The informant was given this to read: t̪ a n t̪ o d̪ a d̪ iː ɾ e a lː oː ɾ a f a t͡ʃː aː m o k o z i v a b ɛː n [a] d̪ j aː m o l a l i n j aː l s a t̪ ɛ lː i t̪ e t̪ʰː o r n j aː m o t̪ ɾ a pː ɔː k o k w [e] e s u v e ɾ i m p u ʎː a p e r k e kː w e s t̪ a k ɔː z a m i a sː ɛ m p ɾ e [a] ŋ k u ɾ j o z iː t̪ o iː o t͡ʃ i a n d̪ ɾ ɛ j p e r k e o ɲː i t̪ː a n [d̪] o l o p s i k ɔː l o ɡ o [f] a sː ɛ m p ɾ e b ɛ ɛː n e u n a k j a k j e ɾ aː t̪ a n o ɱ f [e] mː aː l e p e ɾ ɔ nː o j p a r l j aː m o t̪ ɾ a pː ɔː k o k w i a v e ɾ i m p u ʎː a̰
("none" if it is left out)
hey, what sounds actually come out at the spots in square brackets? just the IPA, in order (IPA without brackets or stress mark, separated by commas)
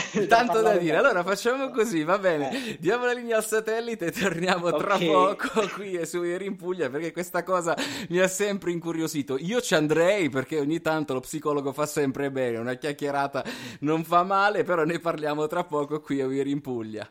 e, i, i, t̪, f, a